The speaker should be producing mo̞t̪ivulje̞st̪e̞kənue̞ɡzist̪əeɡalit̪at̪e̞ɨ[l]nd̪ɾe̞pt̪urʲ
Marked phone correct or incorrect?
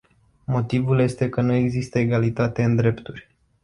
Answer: incorrect